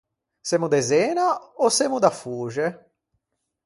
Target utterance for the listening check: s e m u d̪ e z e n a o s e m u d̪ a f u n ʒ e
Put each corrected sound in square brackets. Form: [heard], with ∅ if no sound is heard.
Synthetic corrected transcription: s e m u d̪ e z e n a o s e m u d̪ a f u [∅] ʒ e